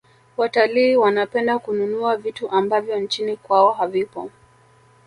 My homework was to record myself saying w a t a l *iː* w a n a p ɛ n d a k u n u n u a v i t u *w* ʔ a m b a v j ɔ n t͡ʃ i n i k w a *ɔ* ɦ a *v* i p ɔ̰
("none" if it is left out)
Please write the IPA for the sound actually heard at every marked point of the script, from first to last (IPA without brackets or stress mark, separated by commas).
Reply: iː, none, ɔ, v